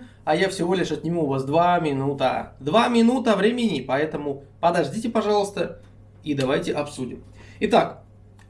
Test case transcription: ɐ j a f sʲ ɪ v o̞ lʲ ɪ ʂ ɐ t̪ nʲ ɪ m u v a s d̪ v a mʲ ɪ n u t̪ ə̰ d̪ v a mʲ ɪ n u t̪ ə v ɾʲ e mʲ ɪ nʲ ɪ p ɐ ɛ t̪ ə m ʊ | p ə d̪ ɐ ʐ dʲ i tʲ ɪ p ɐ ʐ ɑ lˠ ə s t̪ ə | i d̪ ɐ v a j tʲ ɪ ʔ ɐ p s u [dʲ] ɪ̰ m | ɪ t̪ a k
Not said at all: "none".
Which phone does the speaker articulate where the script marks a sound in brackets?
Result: dʲ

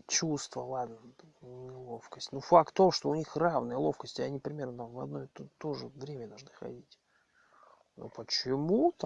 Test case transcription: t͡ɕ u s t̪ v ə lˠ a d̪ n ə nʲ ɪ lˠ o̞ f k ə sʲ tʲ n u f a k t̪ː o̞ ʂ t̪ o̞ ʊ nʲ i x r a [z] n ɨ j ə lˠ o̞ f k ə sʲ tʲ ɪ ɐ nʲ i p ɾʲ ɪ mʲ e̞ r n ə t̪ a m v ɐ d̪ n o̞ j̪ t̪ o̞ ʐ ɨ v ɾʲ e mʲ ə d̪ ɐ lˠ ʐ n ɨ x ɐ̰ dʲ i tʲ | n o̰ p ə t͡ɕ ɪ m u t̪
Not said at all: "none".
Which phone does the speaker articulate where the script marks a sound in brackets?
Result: v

